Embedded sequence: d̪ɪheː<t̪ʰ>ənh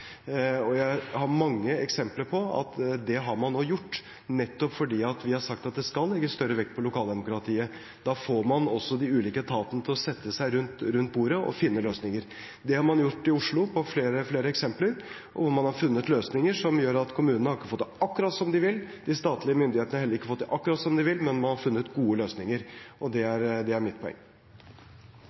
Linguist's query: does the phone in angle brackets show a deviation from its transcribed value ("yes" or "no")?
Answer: yes